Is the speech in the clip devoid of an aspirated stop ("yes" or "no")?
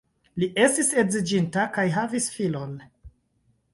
yes